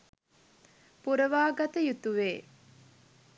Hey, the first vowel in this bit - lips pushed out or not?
yes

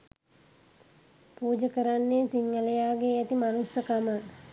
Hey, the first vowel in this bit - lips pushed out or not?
yes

